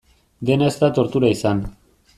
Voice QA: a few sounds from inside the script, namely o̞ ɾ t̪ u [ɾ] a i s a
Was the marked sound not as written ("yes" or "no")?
no